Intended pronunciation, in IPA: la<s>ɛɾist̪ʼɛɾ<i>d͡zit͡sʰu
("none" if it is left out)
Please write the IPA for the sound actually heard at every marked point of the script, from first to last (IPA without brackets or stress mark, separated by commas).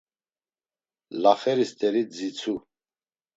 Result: χ, i